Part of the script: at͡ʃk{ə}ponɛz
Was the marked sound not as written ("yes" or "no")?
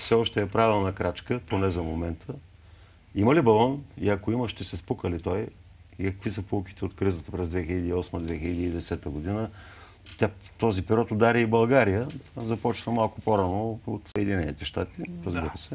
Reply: no